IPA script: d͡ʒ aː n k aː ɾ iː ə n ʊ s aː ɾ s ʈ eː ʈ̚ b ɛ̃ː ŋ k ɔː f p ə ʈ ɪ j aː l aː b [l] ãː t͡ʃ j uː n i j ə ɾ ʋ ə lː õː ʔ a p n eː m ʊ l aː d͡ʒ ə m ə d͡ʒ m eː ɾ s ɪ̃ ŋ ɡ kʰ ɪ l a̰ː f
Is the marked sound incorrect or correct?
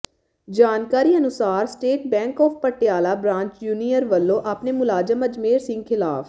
incorrect